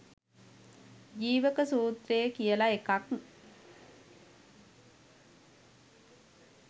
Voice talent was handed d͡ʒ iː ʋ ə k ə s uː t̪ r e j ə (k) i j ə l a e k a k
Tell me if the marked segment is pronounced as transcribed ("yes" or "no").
yes